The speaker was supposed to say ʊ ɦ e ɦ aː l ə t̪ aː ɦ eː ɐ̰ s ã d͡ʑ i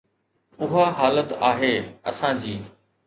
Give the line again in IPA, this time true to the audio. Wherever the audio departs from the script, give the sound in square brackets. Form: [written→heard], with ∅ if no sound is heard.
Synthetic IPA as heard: ʊ ɦ [e→a] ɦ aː l ə t̪ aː ɦ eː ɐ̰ s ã d͡ʑ [i→iː]